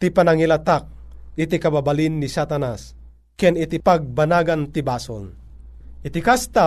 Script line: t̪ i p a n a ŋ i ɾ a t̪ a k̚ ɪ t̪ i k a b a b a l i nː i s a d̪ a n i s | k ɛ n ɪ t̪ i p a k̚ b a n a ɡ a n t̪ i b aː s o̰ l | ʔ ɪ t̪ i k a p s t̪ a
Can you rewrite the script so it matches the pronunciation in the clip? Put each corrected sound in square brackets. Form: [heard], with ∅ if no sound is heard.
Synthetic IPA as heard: t̪ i p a n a ŋ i [l] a t̪ a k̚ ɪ t̪ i k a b a b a l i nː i s a [t̪] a n [a] s | k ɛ n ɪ t̪ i p a [ɡ̚] b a n a ɡ a n t̪ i b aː s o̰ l | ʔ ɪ t̪ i k a [∅] s t̪ a